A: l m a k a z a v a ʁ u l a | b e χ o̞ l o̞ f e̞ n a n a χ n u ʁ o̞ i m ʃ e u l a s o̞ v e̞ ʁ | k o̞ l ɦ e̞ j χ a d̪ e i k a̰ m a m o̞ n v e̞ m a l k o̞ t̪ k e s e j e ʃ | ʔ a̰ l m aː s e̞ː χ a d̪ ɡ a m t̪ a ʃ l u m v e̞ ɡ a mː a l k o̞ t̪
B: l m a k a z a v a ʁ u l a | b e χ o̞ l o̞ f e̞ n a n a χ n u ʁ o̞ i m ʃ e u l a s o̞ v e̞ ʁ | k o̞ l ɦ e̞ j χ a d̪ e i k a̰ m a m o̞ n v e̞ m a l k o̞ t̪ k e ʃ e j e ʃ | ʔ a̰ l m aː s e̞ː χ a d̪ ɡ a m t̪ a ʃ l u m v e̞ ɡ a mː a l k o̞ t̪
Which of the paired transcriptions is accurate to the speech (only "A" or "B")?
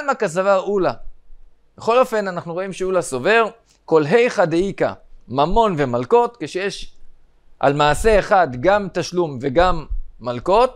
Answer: B